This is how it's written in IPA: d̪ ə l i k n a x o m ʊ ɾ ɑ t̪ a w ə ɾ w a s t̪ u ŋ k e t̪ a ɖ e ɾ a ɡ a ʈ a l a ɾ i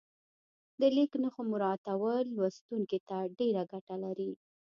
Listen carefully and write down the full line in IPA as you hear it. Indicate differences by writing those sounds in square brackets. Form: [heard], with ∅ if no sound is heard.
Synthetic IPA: d̪ ə l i k n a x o m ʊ ɾ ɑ t̪ a w ə [l] w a s t̪ u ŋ k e t̪ a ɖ e ɾ a ɡ a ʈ a l a ɾ i